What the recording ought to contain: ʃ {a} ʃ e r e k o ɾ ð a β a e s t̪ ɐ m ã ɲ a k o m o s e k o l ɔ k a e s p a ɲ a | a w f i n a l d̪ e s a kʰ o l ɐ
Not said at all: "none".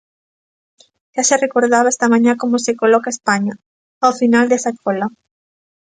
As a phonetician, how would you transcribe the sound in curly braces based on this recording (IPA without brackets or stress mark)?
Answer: a